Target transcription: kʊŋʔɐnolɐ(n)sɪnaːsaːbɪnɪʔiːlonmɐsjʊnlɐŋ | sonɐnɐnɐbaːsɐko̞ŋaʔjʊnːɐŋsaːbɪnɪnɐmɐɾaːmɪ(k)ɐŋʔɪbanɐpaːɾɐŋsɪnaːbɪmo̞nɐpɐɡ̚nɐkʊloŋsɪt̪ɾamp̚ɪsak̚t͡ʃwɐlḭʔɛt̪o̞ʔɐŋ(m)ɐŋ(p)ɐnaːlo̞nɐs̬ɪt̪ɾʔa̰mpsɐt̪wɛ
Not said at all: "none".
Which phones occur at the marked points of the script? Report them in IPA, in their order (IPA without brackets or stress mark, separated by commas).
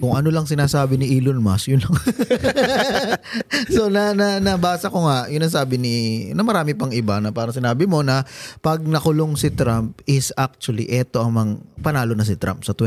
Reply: ŋ, p, m, p